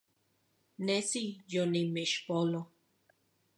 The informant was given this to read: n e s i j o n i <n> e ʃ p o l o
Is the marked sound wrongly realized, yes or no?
yes